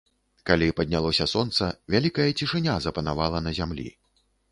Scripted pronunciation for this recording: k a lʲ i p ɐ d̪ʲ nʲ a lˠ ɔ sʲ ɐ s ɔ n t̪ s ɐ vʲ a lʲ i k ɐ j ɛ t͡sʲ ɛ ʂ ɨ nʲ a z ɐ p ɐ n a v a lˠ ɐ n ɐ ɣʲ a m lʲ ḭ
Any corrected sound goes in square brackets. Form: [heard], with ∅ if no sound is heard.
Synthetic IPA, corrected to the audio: k a lʲ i p ɐ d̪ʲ nʲ a lˠ ɔ sʲ ɐ s ɔ n t̪ s ɐ vʲ a lʲ i k ɐ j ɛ t͡sʲ [i] ʂ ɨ nʲ a z ɐ p ɐ n a v a lˠ ɐ n ɐ [zʲ] a m lʲ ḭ